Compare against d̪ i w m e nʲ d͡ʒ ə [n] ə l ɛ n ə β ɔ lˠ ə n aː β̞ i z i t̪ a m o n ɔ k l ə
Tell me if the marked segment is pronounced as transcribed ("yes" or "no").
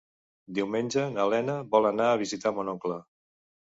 yes